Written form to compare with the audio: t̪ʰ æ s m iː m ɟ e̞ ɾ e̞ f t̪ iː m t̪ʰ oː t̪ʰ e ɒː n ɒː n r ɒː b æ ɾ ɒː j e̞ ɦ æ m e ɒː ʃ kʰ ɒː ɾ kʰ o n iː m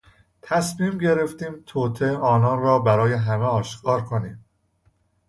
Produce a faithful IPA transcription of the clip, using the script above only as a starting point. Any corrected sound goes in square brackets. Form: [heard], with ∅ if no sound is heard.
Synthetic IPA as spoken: t̪ʰ æ s m iː m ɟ e̞ ɾ e̞ f t̪ iː m t̪ʰ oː t̪ʰ e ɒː n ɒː n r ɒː b æ ɾ ɒː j e̞ ɦ æ m e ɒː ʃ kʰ ɒː ɾ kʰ o n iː m